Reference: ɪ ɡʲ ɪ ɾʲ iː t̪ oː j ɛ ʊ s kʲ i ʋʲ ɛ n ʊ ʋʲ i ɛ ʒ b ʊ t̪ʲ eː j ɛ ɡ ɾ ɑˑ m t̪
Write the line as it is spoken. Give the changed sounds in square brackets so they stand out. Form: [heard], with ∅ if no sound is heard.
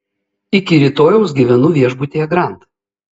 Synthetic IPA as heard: ɪ [kʲ] ɪ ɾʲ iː t̪ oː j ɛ ʊ s [ɡʲ] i ʋʲ ɛ n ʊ ʋʲ i ɛ ʒ b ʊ t̪ʲ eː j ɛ ɡ ɾ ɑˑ [n] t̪